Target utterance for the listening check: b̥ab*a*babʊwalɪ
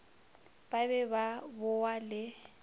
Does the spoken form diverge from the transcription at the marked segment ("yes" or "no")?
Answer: yes